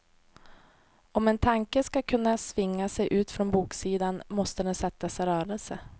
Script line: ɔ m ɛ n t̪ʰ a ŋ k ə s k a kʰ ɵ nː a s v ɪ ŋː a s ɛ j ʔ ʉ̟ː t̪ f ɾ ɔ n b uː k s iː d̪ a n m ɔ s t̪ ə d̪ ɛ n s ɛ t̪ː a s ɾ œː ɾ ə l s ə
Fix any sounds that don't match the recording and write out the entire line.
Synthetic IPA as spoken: ɔ m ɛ n t̪ʰ a ŋ k ə s k a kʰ ɵ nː a s v ɪ ŋː a s ɛ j ʔ ʉ̟ː t̪ f ɾ ɔ n b uː k s iː d̪ a n m ɔ s t̪ ə d̪ ɛ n s ɛ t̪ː a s ɾ œː ɾ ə l s ə